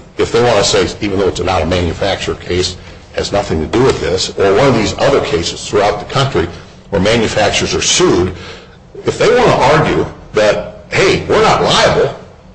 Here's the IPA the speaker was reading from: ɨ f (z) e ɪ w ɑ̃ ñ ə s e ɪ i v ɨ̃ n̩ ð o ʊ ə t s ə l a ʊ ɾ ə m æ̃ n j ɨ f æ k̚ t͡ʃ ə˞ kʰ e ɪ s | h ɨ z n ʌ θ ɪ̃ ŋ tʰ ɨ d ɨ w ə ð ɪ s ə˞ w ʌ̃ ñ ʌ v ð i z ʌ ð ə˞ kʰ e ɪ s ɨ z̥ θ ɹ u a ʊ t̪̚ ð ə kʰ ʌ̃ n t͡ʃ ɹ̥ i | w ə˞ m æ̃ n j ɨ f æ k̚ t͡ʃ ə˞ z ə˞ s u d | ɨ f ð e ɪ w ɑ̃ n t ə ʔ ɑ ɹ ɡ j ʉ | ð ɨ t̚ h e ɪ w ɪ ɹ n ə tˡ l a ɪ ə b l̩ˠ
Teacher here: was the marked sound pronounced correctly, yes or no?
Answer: no